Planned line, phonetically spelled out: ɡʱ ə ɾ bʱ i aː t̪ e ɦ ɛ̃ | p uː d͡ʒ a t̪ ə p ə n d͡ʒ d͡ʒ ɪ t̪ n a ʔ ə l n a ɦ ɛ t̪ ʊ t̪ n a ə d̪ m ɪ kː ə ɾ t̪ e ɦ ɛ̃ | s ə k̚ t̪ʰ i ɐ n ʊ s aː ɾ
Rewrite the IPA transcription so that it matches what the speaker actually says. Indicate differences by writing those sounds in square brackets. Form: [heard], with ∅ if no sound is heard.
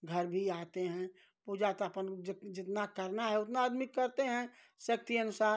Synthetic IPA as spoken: ɡʱ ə ɾ bʱ i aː t̪ e ɦ ɛ̃ | p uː d͡ʒ a t̪ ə p ə n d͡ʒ d͡ʒ ɪ t̪ n a [k] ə [ɾ] n a ɦ ɛ [∅] ʊ t̪ n a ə d̪ m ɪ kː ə ɾ t̪ e ɦ ɛ̃ | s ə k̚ [t̪] i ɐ n ʊ s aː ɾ